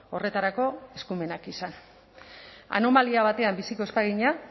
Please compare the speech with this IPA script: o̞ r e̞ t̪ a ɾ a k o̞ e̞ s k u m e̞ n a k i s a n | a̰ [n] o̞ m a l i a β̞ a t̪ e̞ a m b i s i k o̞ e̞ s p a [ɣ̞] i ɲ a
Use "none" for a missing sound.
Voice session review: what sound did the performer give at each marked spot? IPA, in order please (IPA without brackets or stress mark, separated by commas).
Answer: n, ɣ̞